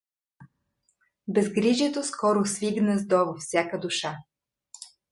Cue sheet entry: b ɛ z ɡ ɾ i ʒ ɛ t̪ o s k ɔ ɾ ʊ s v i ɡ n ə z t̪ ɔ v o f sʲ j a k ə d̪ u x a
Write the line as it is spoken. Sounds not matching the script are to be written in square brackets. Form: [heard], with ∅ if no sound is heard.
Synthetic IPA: b ɛ z ɡ ɾ i ʒ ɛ t̪ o s k ɔ ɾ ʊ s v i ɡ n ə z [d̪] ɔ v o f sʲ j a k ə d̪ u [ʃ] a